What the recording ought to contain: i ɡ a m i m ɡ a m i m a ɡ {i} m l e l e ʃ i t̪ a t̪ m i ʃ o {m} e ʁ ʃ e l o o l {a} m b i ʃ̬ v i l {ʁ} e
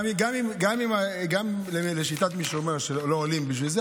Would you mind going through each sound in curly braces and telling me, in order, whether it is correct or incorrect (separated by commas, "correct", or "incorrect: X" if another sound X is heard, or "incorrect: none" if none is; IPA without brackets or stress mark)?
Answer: incorrect: a, correct, incorrect: i, incorrect: z